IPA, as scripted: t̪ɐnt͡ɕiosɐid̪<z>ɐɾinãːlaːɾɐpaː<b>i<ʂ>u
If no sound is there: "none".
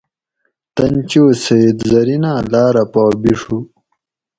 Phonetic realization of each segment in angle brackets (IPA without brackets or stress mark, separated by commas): z, b, ʂ